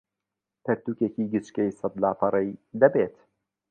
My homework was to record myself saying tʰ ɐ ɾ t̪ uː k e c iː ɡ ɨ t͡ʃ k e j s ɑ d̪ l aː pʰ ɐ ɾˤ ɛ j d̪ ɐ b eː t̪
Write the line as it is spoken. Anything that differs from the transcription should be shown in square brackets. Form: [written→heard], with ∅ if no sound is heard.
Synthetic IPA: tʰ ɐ ɾ t̪ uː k e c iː ɡ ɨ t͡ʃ k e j s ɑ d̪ l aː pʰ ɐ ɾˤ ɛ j d̪ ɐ b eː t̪